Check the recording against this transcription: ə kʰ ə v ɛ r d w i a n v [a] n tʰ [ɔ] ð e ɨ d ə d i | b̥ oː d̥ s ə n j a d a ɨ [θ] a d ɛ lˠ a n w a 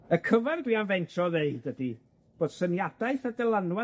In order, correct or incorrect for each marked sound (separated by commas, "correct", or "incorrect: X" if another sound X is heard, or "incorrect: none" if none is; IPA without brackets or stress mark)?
incorrect: ɛ, correct, correct